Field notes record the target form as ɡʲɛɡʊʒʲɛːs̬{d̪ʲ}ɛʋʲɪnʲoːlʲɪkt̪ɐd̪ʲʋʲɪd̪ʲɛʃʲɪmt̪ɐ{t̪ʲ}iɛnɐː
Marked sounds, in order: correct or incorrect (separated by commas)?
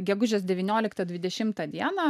correct, incorrect